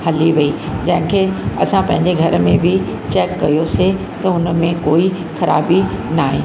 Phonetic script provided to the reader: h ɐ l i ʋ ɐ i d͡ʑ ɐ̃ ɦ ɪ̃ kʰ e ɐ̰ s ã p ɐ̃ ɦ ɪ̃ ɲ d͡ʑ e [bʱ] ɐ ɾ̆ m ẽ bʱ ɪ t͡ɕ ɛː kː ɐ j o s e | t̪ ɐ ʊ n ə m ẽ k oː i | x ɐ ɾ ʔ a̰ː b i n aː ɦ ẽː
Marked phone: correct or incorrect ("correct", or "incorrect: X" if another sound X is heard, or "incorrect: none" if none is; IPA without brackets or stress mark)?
incorrect: ɡʱ